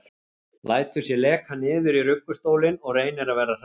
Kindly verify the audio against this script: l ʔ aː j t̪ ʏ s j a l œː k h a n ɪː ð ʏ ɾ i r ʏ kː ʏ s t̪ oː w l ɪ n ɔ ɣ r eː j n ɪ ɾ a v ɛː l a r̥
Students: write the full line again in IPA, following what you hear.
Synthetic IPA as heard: l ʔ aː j t̪ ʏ s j ɛ l ɛː k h a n ɪː ð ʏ ɾ i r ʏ kː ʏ s t̪ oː w l ɪ n ɔ ɣ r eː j n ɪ ɾ a v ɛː ɾ a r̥

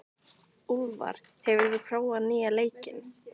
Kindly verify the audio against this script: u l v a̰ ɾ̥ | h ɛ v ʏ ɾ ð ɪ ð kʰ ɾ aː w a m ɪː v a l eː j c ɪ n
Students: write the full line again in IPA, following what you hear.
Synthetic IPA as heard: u l v a̰ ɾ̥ | h ɛ v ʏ ɾ v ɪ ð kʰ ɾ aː w a n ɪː a l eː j c ɪ n

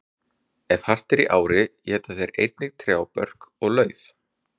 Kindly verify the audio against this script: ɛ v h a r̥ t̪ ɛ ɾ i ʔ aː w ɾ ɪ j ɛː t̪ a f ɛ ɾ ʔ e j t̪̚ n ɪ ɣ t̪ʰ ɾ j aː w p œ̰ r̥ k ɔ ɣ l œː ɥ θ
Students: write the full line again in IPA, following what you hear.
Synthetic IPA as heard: ɛ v h a r̥ t̪ ɛ ɾ i ʔ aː w ɾ ɪ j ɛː t̪ a θ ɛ ɾ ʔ e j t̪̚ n ɪ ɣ t̪ʰ ɾ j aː w p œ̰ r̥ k ɔ ɣ l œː ɥ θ

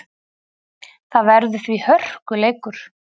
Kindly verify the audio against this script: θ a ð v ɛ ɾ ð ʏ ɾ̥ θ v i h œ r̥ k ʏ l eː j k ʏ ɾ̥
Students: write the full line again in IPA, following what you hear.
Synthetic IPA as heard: θ a ð v ɛ ɾ ð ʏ θ v i h œ r̥ k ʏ l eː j k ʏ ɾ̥

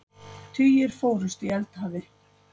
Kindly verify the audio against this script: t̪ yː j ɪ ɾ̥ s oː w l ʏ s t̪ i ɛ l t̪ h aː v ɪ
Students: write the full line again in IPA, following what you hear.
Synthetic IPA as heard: t̪ʰ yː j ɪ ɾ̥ f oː w ɾ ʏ s t̪ i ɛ l t̪ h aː v ɪ

